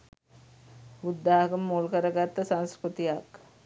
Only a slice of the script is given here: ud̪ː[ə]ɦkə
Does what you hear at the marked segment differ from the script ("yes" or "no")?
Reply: yes